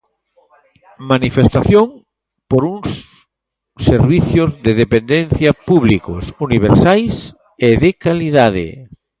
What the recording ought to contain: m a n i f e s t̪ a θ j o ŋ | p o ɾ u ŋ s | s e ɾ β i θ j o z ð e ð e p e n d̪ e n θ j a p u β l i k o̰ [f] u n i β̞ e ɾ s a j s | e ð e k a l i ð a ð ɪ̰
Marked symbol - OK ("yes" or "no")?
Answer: no